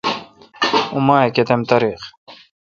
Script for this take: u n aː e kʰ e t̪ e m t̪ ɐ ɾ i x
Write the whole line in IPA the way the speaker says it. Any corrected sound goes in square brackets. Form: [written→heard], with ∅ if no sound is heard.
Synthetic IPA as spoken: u [n→m] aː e [kʰ→k] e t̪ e m t̪ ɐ ɾ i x

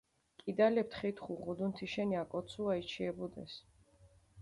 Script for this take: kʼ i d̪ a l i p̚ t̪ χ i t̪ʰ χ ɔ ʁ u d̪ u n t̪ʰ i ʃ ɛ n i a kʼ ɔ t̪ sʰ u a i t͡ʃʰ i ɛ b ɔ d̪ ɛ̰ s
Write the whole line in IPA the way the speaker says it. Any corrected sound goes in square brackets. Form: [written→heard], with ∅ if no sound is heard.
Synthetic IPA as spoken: kʼ i d̪ a l [i→ɛ] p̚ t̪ χ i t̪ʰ χ [ɔ→u] ʁ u d̪ u n t̪ʰ i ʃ ɛ n i a kʼ ɔ t̪ sʰ u a i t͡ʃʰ i ɛ b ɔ d̪ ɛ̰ s

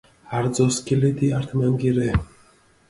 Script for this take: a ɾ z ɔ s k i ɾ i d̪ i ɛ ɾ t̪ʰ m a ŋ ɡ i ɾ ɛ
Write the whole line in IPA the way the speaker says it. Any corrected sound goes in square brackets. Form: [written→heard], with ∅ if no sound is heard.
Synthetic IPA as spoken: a ɾ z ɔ s k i [ɾ→l] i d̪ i [ɛ→a] ɾ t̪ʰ m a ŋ ɡ i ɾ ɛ

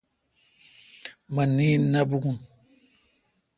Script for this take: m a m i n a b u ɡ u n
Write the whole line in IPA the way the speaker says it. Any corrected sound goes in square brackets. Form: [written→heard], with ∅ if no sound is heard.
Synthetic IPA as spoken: m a [m→n] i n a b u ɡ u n

